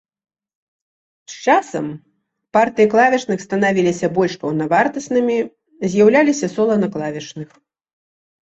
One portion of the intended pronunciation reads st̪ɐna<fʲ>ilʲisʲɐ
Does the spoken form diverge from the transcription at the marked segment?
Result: yes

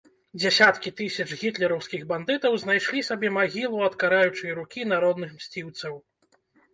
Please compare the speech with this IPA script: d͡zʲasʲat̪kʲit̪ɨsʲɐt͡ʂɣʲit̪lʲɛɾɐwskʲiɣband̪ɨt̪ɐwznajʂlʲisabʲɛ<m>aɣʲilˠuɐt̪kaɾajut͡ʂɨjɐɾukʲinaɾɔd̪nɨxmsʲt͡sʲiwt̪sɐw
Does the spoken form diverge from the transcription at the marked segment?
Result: no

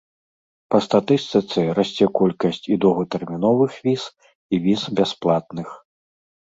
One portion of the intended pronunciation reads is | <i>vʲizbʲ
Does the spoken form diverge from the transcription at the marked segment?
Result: no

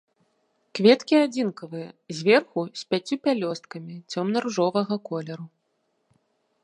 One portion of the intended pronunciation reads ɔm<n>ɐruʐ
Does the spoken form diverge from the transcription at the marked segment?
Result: no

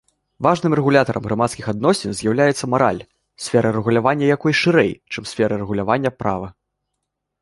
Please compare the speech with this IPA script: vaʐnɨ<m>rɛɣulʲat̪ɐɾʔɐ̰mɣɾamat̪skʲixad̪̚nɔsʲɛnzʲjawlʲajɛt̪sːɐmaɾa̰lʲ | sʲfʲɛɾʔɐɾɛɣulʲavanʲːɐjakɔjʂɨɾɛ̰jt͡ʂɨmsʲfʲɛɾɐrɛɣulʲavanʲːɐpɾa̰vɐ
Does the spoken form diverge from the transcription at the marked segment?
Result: no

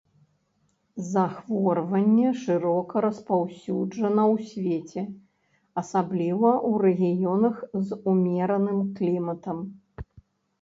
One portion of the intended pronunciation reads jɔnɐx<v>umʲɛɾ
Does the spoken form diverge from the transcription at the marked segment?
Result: yes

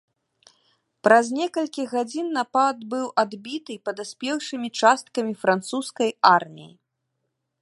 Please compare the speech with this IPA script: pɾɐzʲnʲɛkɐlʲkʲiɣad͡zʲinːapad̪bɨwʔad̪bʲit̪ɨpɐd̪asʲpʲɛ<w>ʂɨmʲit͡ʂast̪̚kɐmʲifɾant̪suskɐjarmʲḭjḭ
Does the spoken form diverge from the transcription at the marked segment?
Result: no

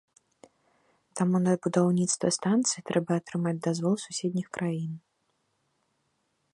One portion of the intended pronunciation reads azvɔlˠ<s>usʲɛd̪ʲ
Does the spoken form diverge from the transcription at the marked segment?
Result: no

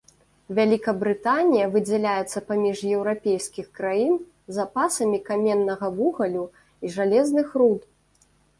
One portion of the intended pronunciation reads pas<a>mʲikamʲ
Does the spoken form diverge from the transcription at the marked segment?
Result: yes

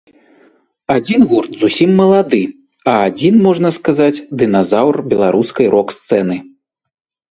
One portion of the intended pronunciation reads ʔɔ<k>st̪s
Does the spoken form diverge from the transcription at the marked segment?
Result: no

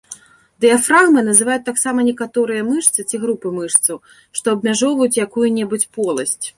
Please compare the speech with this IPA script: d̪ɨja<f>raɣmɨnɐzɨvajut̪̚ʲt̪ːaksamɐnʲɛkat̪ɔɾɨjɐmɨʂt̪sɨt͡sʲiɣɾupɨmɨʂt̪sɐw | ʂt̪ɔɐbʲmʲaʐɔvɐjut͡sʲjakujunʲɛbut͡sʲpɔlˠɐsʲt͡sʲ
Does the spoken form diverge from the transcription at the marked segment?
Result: no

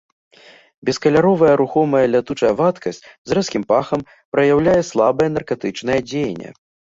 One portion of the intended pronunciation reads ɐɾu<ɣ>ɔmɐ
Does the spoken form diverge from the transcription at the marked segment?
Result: yes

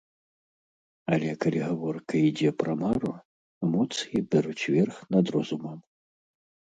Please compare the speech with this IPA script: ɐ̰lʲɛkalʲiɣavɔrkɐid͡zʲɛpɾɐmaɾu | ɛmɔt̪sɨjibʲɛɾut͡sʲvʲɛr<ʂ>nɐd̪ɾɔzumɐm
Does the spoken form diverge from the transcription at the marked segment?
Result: yes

